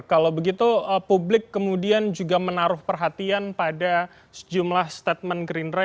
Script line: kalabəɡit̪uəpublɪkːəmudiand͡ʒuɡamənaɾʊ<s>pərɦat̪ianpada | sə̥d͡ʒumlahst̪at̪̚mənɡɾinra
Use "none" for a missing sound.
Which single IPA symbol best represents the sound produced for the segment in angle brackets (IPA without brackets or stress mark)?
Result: h